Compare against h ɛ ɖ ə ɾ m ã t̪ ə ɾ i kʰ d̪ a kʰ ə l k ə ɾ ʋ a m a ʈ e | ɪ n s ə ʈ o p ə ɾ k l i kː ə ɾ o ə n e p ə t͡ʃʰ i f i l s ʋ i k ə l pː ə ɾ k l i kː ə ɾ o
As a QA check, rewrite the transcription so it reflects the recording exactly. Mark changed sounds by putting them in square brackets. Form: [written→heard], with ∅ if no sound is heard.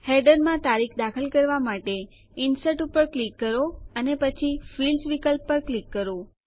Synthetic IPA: h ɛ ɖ ə ɾ m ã t̪ [ə→a] ɾ i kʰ d̪ a kʰ ə l k ə ɾ ʋ a m a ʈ e | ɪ n s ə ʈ [o→u] p ə ɾ k l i kː ə ɾ o ə n e p ə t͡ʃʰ i f i l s ʋ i k ə l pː ə ɾ k l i kː ə ɾ o

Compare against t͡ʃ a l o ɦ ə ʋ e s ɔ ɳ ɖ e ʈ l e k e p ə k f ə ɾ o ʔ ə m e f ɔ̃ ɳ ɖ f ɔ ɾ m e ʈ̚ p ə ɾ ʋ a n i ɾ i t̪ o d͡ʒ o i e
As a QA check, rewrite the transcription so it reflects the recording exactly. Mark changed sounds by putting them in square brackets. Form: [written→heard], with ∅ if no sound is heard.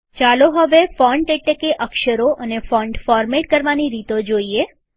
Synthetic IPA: t͡ʃ a l o ɦ ə ʋ e [s→f] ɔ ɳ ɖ e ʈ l e k e [p→ʔ] ə k [f→ʃ] ə ɾ o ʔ ə [m→n] e f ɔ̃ ɳ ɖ f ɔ ɾ m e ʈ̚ [p→k] ə ɾ ʋ a n i ɾ i t̪ o d͡ʒ o i e

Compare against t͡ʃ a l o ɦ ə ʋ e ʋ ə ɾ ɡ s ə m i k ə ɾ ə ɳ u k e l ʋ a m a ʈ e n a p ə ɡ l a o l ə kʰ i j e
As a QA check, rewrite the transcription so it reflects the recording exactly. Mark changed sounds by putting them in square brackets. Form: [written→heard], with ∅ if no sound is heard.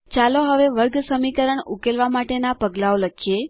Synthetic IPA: t͡ʃ a l o ɦ ə ʋ e ʋ ə ɾ ɡ s ə m i k ə ɾ ə ɳ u k e l ʋ a m a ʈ e n a p ə ɡ l a o l ə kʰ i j e

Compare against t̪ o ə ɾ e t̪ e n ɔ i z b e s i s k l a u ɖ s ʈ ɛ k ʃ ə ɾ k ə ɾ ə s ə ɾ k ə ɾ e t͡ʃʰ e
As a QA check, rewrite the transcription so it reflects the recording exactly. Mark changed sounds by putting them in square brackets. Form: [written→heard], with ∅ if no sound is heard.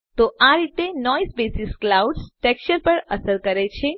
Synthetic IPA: t̪ o [ə→a] ɾ [e→i] t̪ e n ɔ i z b e s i s k l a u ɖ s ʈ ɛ k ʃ ə ɾ [k→p] ə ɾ ə s ə ɾ k ə ɾ e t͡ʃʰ e

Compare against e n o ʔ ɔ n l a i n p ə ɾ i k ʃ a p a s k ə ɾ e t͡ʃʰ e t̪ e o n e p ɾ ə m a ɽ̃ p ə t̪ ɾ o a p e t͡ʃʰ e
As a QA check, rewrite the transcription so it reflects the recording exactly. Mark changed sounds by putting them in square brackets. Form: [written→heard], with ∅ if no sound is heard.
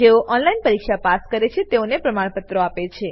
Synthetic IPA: e [n→∅] o ʔ ɔ n l a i n p ə ɾ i k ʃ a p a s k ə ɾ e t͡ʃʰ e t̪ e o n e p ɾ ə m a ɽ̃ p ə t̪ ɾ o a p e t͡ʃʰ e

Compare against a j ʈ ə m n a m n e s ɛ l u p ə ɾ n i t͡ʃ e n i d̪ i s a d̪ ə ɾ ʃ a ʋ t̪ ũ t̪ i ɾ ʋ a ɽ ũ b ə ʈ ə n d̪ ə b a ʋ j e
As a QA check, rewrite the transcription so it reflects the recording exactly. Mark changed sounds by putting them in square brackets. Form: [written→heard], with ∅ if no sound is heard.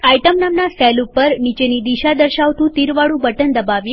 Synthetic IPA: a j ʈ ə m n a m n [e→a] s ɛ l u p ə ɾ n i t͡ʃ e n i d̪ i [s→ʃ] a d̪ ə ɾ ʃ a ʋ t̪ ũ t̪ i ɾ ʋ a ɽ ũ b ə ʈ ə n d̪ ə b a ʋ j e

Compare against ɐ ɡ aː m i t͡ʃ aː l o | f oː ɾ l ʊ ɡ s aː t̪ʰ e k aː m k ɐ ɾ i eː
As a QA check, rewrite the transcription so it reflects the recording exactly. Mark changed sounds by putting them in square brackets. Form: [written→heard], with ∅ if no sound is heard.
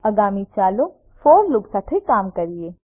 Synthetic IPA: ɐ ɡ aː m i t͡ʃ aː l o | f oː ɾ l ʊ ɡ s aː t̪ʰ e k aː m k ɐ ɾ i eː

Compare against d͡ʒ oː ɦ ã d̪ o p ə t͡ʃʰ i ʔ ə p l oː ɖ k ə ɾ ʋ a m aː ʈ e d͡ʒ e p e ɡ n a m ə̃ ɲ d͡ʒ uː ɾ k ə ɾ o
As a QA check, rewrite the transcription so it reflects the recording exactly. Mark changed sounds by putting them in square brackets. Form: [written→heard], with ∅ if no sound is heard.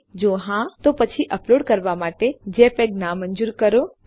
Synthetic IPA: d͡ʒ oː ɦ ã [d̪→t̪] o p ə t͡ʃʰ i ʔ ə p l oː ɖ k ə ɾ ʋ a m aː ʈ e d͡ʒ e p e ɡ n a m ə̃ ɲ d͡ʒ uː ɾ k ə ɾ o

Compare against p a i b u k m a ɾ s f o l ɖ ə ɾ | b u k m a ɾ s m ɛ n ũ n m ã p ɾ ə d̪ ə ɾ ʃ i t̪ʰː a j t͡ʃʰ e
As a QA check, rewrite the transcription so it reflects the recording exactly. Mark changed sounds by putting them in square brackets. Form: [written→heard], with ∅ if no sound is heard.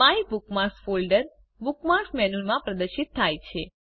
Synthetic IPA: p a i b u k m a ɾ s f o l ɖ ə ɾ | b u k m a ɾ s m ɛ n [ũ→u] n m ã p ɾ ə d̪ ə ɾ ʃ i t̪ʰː a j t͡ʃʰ e

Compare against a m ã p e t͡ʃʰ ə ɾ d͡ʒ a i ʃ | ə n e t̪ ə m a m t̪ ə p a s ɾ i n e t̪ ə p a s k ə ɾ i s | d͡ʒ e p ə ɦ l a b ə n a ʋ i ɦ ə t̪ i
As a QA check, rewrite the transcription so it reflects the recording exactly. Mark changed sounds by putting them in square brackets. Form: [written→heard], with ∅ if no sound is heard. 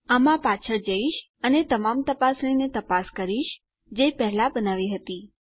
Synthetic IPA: a m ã p [e→a] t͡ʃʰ ə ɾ d͡ʒ [a→ə] i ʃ | ə n e t̪ ə m a m t̪ ə p a s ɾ i n e t̪ ə p a s k ə ɾ i [s→ʃ] | d͡ʒ e p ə ɦ l a b ə n a ʋ i ɦ ə t̪ i

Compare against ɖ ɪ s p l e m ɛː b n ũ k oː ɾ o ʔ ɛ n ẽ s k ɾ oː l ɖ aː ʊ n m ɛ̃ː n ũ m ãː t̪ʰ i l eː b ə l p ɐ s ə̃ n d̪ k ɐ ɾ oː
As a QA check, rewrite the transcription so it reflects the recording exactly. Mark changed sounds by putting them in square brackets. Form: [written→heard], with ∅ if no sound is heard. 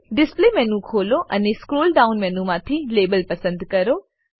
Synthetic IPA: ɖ ɪ s p l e m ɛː [b→∅] n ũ [k→kʰ] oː [ɾ→l] o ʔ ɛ n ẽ s k ɾ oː l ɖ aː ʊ n m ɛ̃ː n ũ m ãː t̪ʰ i l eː b ə l p ɐ s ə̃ n d̪ k ɐ ɾ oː

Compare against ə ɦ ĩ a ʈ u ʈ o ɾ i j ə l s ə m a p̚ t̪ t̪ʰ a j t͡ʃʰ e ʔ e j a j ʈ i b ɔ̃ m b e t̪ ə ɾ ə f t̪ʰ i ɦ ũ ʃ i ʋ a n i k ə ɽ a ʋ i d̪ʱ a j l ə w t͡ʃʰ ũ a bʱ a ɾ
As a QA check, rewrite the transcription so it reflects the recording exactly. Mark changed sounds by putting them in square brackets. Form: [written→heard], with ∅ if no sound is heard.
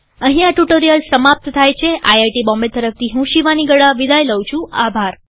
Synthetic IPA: ə ɦ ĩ a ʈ u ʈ o ɾ i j ə l s ə m a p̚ t̪ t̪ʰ a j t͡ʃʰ e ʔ [e→a] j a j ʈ i b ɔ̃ m b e t̪ ə ɾ ə f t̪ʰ i ɦ ũ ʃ i ʋ a n i [k→ɡ] ə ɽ a ʋ i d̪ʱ a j l ə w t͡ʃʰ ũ a bʱ a ɾ

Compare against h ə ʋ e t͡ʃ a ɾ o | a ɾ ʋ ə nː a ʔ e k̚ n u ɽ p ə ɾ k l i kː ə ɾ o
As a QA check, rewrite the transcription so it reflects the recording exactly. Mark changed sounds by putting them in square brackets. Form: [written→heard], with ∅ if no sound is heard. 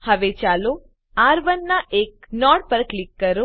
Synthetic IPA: h ə ʋ e t͡ʃ a [ɾ→l] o | a ɾ ʋ ə nː a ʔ e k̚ n [u→ɔ] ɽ p ə ɾ k l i kː ə ɾ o

